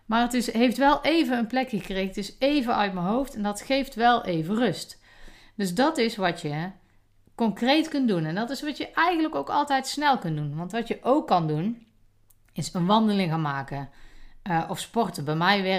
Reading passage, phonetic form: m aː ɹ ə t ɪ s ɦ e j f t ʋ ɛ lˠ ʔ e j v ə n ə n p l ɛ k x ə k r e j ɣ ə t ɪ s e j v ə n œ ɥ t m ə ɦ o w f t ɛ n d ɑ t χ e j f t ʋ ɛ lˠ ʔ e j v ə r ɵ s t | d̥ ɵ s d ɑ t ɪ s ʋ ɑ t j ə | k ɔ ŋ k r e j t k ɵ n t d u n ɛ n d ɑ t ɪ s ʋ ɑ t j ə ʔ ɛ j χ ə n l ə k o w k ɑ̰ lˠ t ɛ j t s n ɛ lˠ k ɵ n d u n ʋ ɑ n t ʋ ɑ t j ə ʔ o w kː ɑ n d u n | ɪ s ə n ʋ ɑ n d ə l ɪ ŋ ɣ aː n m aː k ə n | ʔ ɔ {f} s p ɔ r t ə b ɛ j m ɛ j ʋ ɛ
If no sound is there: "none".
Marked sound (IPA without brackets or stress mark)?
f